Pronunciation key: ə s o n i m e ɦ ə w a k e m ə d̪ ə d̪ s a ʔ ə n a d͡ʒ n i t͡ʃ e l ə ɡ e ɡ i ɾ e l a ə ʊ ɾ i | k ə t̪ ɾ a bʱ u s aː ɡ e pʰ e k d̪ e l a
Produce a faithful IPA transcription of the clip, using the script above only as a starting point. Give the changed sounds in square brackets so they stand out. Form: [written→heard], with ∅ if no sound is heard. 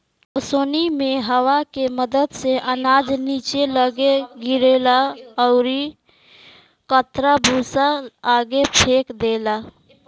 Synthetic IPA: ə s o n i m e ɦ ə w a k e m ə d̪ ə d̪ s [a→e] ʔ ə n a d͡ʒ n i t͡ʃ e l ə ɡ e ɡ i ɾ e l a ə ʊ ɾ i | k ə t̪ ɾ a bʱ u s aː ɡ e pʰ e k d̪ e l a